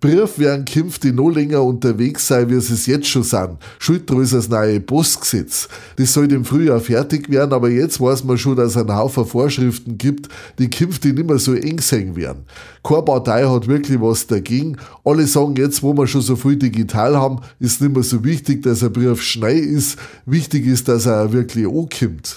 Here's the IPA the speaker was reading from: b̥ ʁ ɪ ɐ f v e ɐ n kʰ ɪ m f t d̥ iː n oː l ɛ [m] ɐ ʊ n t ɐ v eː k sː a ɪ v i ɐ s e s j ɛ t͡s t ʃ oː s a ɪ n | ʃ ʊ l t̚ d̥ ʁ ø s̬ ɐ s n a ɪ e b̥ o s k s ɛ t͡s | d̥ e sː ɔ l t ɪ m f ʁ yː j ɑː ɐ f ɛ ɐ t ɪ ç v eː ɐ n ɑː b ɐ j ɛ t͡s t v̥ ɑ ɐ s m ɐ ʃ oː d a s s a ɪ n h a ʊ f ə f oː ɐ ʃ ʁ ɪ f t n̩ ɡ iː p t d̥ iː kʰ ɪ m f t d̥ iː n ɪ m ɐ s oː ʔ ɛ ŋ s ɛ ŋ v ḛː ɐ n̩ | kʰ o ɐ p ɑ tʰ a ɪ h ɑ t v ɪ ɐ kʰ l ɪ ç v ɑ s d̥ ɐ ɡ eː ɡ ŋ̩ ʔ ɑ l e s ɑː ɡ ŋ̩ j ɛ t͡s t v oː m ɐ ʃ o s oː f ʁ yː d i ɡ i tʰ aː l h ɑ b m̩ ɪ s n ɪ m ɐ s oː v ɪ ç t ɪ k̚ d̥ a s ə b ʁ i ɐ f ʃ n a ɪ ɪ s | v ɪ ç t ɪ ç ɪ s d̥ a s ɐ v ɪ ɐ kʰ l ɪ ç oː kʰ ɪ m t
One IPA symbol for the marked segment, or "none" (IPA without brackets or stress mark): ŋ